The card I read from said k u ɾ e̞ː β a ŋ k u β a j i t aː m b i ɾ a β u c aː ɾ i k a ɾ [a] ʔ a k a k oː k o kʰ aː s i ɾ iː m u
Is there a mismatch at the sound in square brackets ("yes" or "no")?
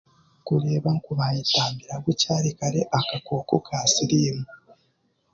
yes